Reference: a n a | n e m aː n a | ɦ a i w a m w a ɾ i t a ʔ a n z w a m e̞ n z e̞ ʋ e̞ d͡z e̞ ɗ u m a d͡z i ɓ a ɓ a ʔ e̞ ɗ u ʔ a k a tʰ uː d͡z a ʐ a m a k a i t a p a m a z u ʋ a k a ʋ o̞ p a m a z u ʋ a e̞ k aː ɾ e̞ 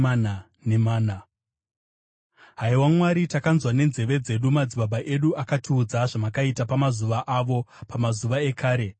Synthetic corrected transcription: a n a | n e m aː n a | ɦ a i w a m w a ɾ i t a k a n z w a n e̞ n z e̞ ʋ e̞ d͡z e̞ ɗ u m a d͡z i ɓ a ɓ a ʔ e̞ ɗ u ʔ a k a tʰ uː d͡z a ʐ a m a k a i t a p a m a z u ʋ a ʔ a ʋ o̞ p a m a z u ʋ a e̞ k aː ɾ e̞